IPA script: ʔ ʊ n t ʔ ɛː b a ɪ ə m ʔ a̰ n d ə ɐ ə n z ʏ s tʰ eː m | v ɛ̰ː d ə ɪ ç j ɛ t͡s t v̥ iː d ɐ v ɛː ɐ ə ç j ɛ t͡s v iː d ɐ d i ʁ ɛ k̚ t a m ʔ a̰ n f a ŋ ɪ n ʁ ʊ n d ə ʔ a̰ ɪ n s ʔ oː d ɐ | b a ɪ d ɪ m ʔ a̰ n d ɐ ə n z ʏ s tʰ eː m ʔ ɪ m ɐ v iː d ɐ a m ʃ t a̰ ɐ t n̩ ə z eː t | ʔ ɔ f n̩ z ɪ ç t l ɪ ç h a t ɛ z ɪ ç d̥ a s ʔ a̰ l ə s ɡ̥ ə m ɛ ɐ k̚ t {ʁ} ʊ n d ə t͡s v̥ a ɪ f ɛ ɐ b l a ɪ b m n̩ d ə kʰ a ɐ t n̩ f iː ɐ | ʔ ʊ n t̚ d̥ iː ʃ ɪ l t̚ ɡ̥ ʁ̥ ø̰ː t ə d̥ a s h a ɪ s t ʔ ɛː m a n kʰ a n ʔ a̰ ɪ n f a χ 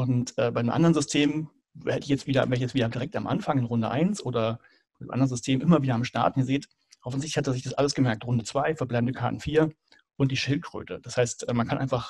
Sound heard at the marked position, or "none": ʁ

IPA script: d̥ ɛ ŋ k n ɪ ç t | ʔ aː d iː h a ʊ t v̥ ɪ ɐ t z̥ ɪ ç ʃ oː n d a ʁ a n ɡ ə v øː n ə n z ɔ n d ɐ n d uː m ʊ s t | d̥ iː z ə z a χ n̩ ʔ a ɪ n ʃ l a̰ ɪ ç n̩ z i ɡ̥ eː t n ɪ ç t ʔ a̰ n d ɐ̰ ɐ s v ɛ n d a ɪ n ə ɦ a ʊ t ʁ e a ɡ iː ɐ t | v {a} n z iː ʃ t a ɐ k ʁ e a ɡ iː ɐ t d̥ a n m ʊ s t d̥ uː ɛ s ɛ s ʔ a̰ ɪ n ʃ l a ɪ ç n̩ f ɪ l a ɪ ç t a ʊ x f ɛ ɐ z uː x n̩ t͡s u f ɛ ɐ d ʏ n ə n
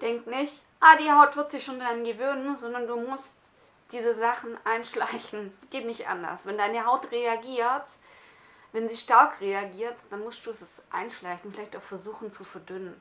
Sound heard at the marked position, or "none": ɛ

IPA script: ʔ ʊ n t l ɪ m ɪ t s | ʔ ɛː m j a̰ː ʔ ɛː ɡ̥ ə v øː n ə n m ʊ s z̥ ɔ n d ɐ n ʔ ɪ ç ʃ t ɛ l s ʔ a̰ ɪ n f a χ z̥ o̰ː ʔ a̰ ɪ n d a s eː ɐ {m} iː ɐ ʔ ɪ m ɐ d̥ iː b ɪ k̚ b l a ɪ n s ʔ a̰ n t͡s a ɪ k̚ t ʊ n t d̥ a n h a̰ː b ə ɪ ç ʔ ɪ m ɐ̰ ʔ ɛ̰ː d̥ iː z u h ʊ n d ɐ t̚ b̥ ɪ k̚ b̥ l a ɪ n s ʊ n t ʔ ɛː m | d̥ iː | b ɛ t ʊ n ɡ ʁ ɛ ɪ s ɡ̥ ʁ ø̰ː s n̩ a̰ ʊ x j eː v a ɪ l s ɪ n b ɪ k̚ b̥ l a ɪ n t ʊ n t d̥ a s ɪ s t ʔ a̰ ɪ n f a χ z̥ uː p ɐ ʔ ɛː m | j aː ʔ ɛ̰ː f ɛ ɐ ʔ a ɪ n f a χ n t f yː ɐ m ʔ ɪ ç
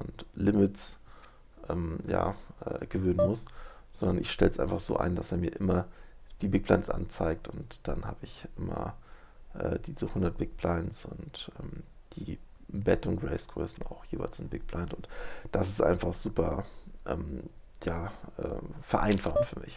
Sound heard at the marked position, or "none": m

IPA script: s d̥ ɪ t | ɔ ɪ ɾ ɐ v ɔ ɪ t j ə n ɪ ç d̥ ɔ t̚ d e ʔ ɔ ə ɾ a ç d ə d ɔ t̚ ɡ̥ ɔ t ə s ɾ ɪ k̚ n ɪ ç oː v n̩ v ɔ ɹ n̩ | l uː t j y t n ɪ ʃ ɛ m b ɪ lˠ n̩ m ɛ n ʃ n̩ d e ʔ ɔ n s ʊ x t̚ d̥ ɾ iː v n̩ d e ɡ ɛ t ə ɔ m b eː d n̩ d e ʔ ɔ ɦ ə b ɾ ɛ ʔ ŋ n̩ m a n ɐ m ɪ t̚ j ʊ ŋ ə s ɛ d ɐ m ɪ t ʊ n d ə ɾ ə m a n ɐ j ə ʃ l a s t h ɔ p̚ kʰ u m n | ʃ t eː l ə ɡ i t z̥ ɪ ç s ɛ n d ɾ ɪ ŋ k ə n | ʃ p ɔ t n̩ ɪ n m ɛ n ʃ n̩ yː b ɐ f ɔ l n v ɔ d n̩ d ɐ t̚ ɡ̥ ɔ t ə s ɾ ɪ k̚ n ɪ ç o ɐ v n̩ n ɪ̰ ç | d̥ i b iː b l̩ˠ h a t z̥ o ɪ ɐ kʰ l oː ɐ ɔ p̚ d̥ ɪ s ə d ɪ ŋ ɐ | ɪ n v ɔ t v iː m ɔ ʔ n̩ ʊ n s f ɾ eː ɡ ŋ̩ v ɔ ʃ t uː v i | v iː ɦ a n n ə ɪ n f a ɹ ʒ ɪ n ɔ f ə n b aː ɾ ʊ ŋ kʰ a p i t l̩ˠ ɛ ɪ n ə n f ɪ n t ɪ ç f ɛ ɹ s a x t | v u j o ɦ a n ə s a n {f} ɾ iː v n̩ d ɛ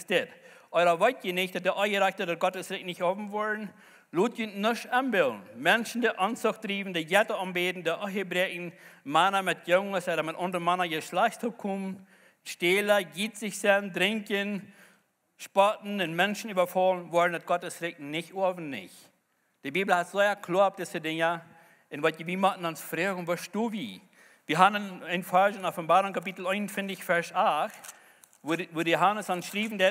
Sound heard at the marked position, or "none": ʃ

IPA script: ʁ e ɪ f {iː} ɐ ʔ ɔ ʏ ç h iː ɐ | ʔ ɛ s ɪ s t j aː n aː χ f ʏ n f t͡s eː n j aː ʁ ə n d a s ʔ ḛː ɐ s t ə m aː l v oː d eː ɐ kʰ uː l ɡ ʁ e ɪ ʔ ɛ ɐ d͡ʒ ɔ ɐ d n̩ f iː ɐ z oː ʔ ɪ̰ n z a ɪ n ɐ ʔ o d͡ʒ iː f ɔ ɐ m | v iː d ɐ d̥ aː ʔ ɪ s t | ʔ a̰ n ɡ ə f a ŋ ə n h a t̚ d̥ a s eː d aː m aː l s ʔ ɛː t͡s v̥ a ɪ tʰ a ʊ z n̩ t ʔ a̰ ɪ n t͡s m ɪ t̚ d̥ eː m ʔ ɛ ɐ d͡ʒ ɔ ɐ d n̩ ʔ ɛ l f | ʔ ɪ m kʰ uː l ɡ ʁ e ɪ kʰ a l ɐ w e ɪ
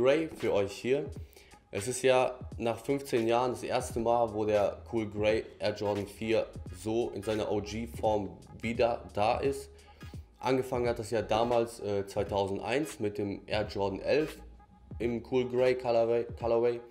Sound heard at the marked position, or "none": yː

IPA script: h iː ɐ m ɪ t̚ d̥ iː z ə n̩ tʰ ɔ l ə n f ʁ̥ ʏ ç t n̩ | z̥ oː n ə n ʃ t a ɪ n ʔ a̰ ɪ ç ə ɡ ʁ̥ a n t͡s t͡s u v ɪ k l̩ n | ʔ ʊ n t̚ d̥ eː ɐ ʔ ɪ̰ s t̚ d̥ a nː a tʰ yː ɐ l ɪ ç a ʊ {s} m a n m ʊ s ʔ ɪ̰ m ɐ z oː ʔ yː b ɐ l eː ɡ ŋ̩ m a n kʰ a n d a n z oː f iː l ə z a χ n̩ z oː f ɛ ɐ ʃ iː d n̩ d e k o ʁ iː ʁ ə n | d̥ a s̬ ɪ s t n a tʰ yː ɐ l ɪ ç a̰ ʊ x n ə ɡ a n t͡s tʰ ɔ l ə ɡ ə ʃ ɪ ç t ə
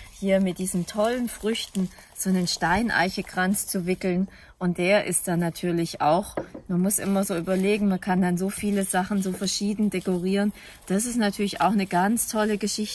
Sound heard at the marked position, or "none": x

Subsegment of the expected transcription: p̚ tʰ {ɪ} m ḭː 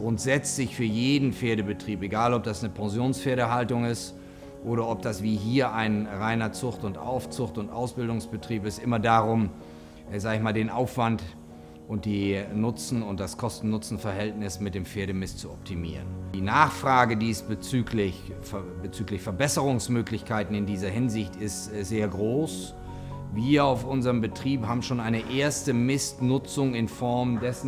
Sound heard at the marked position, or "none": i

